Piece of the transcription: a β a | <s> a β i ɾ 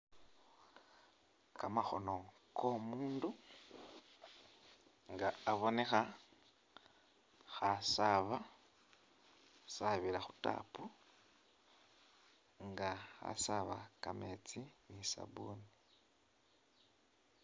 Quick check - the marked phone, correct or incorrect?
correct